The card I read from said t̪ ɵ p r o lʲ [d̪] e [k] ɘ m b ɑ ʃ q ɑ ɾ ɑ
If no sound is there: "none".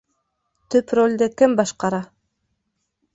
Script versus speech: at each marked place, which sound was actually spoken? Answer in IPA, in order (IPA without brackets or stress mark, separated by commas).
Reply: d̪, k